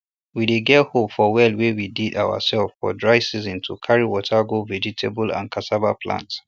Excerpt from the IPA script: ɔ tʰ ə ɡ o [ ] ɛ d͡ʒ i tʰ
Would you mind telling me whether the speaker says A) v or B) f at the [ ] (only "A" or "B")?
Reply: A